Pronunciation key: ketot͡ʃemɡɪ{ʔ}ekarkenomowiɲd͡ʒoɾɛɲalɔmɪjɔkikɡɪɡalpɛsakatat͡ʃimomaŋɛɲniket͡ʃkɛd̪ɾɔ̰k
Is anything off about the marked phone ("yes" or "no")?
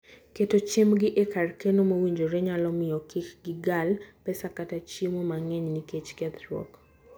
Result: no